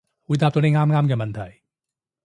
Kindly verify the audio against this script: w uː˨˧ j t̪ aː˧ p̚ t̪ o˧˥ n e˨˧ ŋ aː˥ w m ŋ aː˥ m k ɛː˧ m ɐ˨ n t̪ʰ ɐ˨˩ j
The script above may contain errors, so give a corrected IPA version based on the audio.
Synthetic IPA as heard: w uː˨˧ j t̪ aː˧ p̚ t̪ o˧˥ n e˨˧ ŋ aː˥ m ŋ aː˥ m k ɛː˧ m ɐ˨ n t̪ʰ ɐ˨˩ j